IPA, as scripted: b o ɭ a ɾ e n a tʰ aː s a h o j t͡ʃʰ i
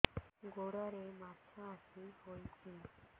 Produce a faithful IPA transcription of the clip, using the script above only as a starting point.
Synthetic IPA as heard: ɡ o ɽ a ɾ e m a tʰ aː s i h o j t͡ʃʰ i